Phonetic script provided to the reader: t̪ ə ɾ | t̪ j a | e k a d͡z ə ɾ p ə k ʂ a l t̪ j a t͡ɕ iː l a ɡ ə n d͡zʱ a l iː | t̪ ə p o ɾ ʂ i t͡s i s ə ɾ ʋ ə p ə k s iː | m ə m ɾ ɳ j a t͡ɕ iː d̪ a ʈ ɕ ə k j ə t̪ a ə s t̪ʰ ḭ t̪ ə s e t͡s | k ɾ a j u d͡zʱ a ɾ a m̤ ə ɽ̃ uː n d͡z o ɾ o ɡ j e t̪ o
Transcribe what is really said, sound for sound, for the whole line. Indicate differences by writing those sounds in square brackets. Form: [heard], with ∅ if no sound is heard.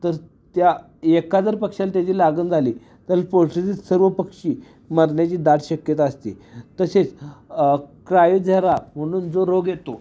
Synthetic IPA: t̪ ə ɾ | t̪ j a | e k a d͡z ə ɾ p ə k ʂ a l t̪ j a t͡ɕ iː l a ɡ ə n d͡zʱ a l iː | t̪ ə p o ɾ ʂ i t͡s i s ə ɾ ʋ ə p ə k [ʂ] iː | m ə [∅] ɾ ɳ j a t͡ɕ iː d̪ a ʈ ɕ ə k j ə t̪ a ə s [t̪] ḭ t̪ ə s e t͡s | k ɾ a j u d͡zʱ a ɾ a m̤ ə ɽ̃ uː n d͡z o ɾ o ɡ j e t̪ o